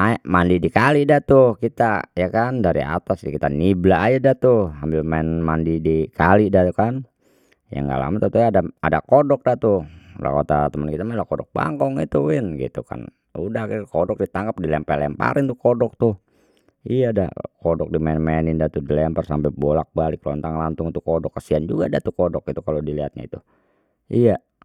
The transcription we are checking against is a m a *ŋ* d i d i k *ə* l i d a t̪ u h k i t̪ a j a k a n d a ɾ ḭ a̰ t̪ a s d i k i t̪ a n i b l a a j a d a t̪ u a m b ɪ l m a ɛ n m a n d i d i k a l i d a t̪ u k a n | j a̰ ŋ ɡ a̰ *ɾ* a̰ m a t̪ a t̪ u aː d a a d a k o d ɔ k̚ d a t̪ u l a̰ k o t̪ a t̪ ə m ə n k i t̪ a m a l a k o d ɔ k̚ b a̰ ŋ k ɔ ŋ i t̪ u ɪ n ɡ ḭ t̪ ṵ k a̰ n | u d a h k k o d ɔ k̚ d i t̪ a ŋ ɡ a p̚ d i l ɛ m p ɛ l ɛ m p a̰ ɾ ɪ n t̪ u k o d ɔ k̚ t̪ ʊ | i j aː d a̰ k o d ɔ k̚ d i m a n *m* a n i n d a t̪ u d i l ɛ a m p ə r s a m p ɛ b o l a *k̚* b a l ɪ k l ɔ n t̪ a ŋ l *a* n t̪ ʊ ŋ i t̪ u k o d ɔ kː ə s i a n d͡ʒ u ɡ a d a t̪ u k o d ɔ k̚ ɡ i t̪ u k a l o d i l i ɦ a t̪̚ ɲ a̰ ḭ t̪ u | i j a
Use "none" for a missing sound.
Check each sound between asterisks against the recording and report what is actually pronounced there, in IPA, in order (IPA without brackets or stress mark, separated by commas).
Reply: n, a, l, m, k̚, a